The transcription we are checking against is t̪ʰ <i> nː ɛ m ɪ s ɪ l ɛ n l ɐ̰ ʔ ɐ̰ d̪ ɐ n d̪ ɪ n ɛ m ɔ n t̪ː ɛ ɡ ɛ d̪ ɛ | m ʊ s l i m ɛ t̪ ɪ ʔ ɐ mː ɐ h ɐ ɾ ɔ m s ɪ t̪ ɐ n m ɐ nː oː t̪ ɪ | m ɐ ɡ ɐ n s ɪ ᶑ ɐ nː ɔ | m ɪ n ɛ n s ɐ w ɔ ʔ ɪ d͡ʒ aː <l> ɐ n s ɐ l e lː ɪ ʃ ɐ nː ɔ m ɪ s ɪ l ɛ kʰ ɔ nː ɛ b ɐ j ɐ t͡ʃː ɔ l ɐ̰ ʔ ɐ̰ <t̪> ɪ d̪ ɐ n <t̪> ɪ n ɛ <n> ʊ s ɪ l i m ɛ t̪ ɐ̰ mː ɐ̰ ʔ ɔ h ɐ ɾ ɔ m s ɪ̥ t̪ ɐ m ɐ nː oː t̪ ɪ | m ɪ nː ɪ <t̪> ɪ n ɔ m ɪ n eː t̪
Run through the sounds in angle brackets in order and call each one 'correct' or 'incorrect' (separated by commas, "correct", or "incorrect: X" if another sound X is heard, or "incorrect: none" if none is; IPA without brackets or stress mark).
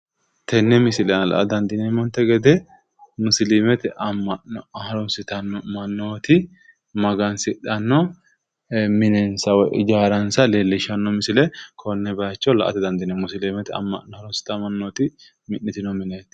incorrect: ɛ, incorrect: ɾ, correct, incorrect: d̪, incorrect: m, correct